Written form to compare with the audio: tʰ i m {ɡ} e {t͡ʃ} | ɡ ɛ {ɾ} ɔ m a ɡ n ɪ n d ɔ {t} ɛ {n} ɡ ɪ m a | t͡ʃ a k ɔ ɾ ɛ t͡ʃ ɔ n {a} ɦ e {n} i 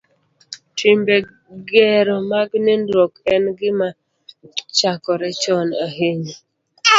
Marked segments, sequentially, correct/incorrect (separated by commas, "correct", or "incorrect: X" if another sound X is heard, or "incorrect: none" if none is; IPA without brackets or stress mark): incorrect: b, incorrect: none, correct, incorrect: k, correct, correct, incorrect: ɲ